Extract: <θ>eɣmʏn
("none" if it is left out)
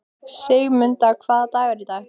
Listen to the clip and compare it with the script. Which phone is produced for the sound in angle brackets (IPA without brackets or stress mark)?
s